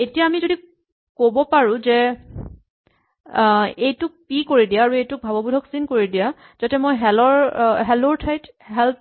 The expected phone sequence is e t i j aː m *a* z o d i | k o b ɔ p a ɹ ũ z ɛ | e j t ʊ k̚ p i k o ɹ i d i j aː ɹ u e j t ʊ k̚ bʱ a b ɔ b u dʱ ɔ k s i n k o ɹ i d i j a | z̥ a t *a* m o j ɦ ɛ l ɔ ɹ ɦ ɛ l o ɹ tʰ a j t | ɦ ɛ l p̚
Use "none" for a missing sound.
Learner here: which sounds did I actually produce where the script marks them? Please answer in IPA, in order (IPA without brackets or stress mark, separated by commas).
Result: i, ɛ